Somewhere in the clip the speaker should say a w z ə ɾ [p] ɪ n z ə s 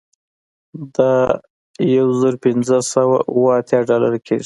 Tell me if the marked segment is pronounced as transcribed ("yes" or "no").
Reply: yes